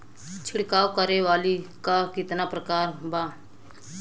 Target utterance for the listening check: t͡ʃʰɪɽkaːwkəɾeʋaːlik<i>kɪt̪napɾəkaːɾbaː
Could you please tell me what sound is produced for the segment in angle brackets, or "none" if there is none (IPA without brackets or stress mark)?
a